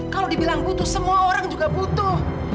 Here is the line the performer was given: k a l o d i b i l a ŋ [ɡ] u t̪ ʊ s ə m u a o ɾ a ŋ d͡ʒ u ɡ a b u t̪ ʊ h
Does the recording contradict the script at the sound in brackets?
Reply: yes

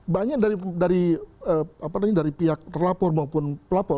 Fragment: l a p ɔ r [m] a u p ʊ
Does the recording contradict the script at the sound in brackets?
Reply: no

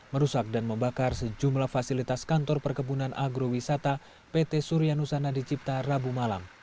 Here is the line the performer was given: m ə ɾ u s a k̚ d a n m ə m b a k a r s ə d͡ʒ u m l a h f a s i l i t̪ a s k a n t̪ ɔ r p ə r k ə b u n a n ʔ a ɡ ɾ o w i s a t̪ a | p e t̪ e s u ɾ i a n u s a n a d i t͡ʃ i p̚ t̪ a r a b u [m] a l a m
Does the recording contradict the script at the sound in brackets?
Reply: no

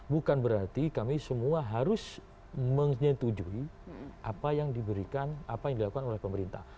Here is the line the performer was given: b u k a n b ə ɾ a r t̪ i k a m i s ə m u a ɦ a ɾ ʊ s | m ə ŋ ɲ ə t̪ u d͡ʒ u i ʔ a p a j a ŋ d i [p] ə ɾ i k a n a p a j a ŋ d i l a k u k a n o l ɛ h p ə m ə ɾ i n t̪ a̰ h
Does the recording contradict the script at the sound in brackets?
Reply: yes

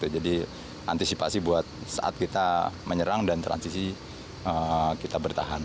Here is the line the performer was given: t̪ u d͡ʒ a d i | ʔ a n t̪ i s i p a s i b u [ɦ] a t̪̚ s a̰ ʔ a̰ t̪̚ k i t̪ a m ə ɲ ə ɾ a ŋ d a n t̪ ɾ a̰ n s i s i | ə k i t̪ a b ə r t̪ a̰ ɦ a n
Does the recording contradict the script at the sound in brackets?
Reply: yes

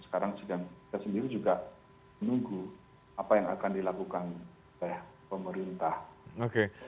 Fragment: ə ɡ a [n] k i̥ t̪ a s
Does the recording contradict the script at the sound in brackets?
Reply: yes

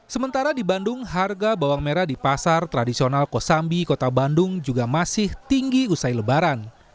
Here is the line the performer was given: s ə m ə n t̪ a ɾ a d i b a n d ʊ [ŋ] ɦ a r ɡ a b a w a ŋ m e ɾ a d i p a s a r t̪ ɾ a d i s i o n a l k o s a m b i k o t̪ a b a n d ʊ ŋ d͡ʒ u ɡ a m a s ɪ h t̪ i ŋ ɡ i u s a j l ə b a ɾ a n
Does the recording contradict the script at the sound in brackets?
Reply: no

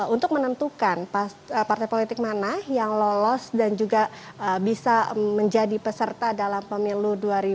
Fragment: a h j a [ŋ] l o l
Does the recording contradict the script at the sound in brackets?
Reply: no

